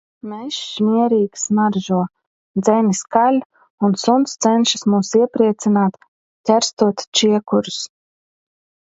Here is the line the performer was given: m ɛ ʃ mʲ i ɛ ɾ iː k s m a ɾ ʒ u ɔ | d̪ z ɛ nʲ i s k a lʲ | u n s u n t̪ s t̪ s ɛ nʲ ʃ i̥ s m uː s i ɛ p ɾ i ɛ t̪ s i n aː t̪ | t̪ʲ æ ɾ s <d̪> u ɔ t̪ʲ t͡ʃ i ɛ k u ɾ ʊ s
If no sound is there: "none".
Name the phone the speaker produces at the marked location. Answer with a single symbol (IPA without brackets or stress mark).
t̪